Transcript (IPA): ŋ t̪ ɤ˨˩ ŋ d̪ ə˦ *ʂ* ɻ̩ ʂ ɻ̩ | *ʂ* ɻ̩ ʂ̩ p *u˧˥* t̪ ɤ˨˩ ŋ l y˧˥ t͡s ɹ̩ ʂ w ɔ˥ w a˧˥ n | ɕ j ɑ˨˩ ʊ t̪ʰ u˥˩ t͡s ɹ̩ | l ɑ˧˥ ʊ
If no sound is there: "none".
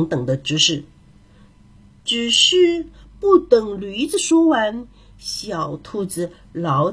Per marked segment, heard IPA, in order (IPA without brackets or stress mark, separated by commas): ʈ͡ʂ, ʈ͡ʂ, u˥˩